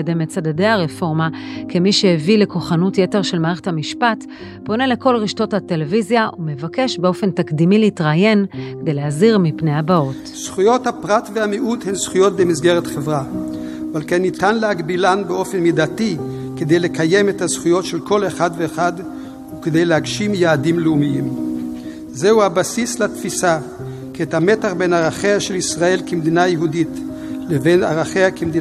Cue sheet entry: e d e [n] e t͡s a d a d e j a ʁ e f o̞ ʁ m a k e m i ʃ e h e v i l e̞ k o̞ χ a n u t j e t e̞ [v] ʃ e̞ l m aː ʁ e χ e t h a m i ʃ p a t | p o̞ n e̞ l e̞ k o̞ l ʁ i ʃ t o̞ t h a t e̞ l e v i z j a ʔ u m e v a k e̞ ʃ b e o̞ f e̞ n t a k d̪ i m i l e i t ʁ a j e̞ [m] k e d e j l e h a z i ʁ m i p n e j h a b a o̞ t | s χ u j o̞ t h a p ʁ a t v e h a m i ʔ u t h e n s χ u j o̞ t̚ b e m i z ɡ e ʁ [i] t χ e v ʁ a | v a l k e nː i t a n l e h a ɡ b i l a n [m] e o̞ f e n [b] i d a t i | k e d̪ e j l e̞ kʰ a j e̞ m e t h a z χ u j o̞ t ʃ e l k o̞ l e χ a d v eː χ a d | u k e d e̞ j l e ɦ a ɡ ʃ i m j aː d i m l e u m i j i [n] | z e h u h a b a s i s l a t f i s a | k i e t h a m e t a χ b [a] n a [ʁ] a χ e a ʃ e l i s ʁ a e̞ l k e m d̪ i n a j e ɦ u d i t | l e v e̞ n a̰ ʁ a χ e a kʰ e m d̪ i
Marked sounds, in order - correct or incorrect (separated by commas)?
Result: incorrect, incorrect, incorrect, incorrect, incorrect, incorrect, incorrect, incorrect, correct